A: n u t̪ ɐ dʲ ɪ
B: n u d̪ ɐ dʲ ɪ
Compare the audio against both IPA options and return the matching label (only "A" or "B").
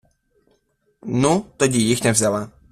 A